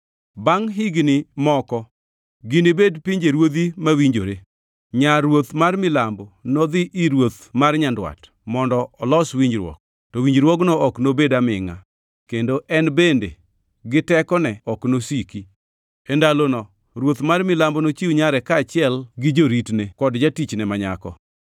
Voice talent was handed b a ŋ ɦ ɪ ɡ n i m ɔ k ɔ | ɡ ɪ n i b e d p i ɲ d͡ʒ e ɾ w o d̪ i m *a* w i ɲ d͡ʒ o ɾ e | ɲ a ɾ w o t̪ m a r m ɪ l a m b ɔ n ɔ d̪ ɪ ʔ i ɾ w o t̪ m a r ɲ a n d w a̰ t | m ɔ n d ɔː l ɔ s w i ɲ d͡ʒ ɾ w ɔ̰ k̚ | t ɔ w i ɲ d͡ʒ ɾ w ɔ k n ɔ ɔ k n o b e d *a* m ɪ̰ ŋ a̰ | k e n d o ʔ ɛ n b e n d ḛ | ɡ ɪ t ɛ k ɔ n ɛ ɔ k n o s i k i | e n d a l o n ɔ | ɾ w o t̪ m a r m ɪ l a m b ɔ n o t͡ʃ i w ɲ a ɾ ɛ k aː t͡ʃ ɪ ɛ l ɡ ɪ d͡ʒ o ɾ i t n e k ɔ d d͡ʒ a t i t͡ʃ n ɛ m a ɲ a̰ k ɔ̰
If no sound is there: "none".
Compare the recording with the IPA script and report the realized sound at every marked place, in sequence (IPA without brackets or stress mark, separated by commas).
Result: a, a